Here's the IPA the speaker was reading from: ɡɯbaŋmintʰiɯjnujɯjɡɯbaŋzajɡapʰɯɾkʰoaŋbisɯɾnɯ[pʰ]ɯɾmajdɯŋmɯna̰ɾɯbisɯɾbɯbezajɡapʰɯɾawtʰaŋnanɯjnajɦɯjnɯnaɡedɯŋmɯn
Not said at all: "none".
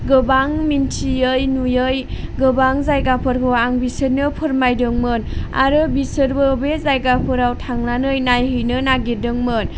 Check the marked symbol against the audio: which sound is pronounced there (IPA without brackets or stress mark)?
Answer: pʰ